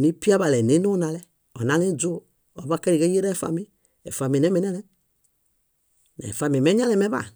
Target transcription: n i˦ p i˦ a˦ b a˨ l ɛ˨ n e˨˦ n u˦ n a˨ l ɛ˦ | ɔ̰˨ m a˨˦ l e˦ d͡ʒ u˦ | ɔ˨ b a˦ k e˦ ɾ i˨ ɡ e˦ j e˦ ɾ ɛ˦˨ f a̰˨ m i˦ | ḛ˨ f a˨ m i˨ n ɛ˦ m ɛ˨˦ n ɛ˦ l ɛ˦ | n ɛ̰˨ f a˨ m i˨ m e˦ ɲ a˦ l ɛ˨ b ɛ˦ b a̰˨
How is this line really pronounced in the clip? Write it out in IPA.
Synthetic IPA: n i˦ p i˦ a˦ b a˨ l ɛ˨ n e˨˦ n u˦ n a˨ l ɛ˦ | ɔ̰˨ n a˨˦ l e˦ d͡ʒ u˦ | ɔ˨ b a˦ k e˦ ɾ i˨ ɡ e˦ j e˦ ɾ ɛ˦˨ f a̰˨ m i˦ | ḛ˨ f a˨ m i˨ n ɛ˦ m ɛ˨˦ n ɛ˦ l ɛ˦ | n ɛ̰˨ f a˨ m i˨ m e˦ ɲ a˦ l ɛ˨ m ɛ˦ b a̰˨